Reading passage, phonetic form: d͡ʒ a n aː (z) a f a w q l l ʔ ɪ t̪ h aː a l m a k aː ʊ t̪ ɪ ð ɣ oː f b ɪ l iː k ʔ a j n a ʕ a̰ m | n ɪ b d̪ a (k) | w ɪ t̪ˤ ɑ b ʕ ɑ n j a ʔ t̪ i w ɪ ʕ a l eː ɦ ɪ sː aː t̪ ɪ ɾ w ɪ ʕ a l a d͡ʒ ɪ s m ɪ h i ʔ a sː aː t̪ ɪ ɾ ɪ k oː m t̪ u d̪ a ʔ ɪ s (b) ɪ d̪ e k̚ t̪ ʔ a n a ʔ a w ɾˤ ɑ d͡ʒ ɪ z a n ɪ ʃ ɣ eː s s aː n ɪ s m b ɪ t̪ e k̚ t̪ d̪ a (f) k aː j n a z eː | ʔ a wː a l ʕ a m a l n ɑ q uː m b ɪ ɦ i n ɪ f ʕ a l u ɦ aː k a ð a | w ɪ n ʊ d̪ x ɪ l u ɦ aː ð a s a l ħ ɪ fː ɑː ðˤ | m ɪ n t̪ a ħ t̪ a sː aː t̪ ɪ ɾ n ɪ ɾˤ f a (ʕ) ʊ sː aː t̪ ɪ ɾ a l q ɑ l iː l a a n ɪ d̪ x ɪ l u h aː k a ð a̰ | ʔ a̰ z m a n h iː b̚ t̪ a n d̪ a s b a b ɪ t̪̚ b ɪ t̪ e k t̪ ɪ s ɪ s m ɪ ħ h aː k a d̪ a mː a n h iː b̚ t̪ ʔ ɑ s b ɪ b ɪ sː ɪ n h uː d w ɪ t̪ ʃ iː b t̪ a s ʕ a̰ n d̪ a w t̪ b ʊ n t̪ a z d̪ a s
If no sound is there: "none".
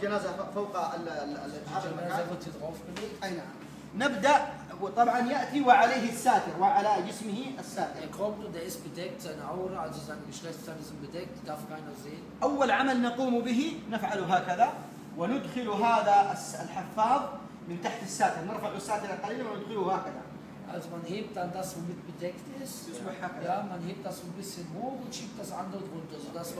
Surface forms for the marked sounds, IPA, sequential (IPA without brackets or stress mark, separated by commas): z, ʔ, b, f, ʕ